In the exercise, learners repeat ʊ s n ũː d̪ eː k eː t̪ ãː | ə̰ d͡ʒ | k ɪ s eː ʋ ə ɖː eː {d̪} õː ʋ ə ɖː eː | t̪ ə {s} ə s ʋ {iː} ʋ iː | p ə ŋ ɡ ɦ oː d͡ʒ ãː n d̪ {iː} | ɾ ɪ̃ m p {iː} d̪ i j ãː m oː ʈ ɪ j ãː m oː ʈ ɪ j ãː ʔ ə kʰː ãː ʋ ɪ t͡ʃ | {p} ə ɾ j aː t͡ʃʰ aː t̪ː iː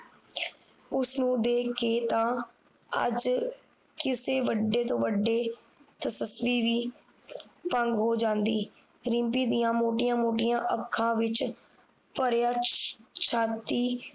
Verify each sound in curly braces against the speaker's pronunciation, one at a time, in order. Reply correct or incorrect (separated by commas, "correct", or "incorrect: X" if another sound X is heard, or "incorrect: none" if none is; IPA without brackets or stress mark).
incorrect: t̪, correct, correct, correct, correct, correct